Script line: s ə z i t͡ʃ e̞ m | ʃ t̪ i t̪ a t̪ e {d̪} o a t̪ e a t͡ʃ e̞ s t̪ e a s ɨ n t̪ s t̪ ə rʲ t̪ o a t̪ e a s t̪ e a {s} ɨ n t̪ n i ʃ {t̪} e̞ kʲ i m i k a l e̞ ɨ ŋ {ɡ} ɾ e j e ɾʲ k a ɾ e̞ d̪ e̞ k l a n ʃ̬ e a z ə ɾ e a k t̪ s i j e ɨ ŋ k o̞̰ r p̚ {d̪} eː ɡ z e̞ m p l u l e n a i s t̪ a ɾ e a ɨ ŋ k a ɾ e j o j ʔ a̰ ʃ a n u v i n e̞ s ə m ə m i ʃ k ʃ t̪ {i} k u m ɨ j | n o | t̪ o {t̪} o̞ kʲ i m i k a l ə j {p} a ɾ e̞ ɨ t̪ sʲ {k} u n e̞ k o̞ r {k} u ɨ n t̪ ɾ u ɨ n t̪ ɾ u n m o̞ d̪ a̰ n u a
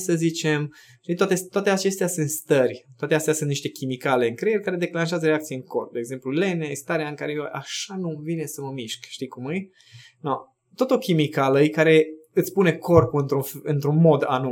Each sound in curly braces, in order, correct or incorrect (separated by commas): incorrect, correct, correct, incorrect, correct, correct, correct, incorrect, incorrect, incorrect